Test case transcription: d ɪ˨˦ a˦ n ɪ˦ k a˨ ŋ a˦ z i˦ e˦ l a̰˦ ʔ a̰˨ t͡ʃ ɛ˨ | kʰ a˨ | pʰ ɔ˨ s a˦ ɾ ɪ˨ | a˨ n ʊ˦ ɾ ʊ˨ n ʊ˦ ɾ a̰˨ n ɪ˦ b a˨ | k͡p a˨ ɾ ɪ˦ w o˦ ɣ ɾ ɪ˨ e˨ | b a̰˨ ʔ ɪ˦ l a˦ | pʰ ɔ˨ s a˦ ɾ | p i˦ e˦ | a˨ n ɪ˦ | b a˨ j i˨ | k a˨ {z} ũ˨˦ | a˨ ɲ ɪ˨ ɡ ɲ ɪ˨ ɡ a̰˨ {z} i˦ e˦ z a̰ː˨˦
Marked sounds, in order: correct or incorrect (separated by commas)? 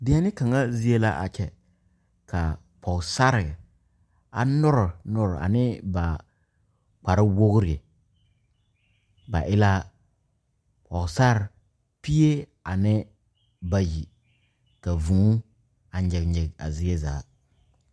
incorrect, correct